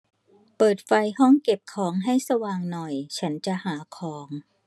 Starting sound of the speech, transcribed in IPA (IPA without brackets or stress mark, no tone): p